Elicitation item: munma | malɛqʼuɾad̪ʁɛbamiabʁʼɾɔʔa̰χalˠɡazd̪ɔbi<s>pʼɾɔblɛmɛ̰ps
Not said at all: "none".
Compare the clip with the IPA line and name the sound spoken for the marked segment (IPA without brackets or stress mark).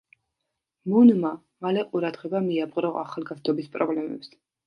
s